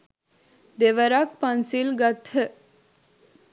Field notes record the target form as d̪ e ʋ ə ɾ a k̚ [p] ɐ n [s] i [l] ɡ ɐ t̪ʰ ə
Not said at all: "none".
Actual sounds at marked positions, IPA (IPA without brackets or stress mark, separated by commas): p, s, l